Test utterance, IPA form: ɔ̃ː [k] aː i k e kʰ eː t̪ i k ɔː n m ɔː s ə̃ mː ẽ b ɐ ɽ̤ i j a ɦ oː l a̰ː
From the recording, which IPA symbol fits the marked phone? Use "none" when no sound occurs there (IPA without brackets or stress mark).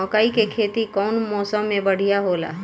k